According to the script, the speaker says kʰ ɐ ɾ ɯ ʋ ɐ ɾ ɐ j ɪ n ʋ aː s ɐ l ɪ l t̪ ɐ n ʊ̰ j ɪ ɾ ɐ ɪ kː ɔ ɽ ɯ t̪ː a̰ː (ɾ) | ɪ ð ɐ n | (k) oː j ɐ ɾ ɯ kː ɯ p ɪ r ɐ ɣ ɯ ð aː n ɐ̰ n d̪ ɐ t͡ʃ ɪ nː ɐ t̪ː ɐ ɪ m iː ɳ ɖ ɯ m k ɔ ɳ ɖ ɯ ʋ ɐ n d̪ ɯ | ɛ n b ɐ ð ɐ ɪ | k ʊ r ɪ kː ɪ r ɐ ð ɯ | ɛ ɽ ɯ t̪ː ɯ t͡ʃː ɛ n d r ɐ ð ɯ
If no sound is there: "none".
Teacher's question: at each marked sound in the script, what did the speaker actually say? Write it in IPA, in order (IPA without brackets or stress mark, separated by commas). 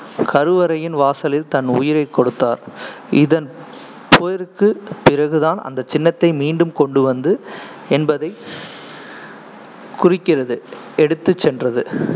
ɾ, p